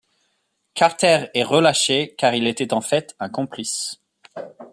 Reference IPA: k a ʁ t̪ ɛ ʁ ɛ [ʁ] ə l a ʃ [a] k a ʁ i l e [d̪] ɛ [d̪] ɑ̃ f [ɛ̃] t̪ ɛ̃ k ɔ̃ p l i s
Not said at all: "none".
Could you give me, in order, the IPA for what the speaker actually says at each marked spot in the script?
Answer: ʁ, e, t̪, t̪, ɛ

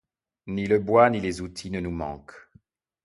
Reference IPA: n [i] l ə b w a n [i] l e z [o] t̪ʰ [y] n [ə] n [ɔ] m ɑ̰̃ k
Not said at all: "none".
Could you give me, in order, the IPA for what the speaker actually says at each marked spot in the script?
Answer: i, i, u, i, ə, u

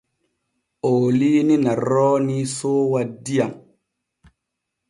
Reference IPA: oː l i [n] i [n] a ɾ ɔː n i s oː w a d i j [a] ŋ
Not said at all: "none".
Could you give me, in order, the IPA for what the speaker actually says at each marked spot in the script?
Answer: n, n, a

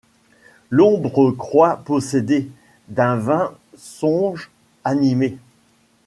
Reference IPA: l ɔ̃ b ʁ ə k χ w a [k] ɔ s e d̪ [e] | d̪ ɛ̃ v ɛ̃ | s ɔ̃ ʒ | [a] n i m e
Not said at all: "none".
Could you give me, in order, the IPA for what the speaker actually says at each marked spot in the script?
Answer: p, e, a

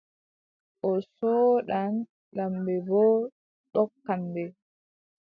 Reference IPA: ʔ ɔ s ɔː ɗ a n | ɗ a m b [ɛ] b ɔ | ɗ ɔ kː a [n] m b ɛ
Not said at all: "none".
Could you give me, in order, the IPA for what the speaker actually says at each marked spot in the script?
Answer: ɛ, none

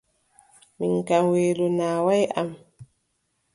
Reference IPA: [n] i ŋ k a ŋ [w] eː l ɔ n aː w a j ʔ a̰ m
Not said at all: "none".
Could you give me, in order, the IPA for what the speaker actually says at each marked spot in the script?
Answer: m, w

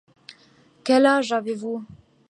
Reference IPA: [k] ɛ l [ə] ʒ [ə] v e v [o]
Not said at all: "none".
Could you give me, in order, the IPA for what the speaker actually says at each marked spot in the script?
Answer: k, a, a, u

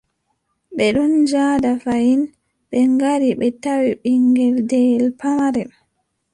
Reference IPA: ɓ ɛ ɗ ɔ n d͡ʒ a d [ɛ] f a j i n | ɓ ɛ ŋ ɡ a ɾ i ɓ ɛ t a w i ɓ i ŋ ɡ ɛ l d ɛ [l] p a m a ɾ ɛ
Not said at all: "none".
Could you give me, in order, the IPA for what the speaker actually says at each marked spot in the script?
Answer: a, l

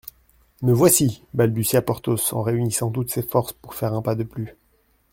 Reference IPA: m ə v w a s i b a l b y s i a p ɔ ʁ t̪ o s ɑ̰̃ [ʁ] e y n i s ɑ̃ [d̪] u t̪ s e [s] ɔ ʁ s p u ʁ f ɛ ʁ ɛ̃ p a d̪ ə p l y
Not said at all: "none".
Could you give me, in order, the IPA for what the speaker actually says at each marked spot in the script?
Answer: ʁ, t̪, f

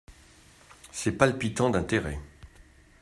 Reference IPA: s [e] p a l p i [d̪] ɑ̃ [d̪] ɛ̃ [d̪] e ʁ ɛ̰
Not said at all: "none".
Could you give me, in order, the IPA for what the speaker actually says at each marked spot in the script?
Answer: ɛ, t̪, d̪, t̪

